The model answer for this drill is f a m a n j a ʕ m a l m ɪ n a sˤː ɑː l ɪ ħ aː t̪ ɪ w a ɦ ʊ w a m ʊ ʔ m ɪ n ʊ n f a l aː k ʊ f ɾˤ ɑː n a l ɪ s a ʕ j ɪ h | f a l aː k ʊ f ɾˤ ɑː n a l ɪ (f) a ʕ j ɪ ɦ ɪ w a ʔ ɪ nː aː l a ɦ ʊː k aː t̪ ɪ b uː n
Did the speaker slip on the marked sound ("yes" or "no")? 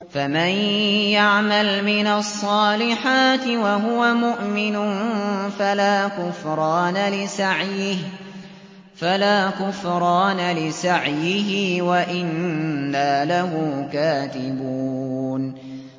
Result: yes